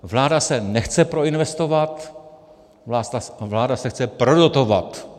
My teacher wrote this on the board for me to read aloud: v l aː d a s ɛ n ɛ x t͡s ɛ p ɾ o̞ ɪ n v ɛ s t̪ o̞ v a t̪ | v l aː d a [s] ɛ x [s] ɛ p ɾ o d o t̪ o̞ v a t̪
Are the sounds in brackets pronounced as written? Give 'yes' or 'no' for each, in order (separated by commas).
yes, no